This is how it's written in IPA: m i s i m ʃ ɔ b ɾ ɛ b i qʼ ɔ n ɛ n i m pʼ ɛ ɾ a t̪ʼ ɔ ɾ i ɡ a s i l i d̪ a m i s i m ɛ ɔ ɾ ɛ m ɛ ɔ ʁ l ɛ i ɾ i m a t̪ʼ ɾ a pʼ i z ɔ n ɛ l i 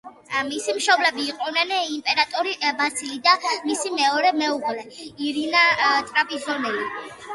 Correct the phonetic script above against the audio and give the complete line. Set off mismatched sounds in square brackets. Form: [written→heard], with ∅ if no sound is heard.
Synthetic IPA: m i s i m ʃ ɔ b [ɾ→l] ɛ b [i→iː] qʼ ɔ n ɛ n i m pʼ ɛ ɾ a t̪ʼ ɔ ɾ i [ɡ→b] a s i l i d̪ a m i s i m ɛ ɔ ɾ ɛ m ɛ [ɔ→u] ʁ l ɛ i ɾ i [m→n] a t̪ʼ ɾ a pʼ i z ɔ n ɛ l i